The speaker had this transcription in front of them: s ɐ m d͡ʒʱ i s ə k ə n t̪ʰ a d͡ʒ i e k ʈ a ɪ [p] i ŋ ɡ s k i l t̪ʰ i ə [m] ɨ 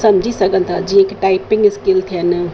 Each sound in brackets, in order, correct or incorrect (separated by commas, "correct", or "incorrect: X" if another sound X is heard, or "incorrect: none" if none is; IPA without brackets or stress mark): correct, incorrect: n